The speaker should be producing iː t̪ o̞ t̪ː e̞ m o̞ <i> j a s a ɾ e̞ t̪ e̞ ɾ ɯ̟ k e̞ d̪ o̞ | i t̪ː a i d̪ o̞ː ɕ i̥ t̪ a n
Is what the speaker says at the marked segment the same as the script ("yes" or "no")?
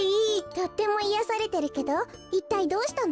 yes